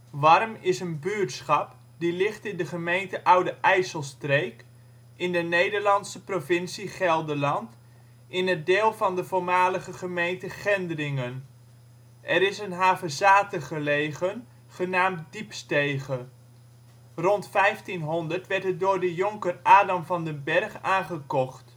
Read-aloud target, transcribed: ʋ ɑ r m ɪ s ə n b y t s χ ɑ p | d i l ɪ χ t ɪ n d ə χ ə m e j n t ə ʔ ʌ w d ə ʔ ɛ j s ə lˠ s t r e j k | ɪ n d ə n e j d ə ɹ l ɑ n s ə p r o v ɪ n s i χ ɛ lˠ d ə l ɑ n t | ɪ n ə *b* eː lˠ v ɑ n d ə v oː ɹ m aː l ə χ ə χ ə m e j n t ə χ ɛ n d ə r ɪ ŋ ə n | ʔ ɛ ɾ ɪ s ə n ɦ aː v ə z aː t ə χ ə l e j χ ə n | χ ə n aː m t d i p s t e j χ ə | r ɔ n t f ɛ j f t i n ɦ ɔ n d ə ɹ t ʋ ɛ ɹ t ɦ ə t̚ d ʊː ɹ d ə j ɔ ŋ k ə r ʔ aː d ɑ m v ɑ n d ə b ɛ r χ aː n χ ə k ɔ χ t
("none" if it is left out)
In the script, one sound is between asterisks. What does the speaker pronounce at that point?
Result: d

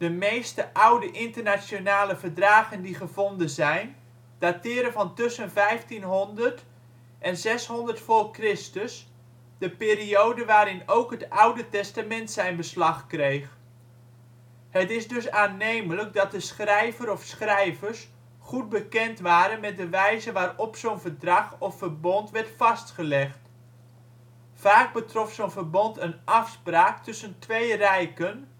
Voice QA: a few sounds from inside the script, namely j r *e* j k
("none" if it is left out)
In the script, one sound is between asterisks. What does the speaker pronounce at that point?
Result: ɛ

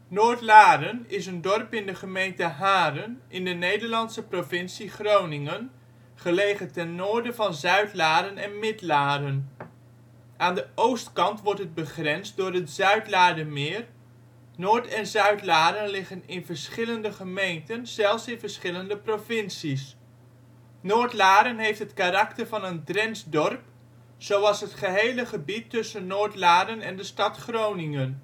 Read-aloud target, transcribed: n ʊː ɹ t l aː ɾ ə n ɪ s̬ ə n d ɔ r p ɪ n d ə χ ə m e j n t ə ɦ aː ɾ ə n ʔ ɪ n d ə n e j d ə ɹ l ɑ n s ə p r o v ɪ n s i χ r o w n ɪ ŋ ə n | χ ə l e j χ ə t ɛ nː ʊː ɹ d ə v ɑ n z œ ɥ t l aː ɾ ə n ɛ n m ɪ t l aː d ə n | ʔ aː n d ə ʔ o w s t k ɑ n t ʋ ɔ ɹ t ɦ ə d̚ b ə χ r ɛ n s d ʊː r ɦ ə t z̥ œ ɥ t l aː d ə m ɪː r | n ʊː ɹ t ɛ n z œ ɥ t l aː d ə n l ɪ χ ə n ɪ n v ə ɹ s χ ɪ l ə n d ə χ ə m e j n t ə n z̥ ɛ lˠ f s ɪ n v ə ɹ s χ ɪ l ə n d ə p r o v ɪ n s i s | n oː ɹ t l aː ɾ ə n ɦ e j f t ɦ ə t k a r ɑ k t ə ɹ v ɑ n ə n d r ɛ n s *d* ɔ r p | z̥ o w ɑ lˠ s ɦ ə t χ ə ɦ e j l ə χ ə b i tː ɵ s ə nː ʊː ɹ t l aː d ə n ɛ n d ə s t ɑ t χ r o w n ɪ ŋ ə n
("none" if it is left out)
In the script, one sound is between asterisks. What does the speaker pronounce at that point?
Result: d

